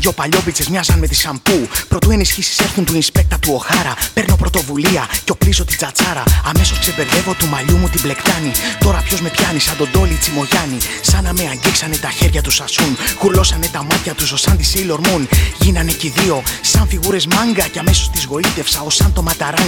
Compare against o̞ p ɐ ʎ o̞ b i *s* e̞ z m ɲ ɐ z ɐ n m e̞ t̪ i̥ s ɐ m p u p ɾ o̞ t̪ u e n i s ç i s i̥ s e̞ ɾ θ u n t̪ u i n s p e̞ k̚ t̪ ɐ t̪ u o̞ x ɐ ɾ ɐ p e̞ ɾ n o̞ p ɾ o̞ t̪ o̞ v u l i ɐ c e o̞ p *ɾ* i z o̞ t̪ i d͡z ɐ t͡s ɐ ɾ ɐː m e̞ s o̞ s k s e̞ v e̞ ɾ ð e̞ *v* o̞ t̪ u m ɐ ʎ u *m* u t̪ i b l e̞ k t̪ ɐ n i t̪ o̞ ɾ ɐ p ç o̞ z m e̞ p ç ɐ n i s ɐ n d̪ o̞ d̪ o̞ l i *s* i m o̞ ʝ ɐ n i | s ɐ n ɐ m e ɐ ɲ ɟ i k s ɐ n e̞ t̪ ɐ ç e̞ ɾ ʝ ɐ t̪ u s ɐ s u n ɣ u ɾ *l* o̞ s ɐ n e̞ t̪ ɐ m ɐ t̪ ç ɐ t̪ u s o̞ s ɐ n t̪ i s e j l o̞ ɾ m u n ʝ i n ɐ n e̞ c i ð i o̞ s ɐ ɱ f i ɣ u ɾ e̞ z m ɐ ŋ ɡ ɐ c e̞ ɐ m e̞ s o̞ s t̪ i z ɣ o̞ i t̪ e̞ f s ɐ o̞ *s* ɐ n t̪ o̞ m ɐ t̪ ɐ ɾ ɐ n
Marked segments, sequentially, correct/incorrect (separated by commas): incorrect, incorrect, correct, correct, incorrect, correct, correct